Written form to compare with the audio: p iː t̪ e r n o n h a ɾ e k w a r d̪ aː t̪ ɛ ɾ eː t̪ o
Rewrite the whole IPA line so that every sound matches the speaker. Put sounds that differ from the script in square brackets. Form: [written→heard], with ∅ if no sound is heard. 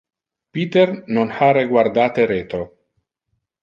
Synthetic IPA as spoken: p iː t̪ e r n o n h a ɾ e [k→ɡ] w a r d̪ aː t̪ [ɛ→e] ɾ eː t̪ o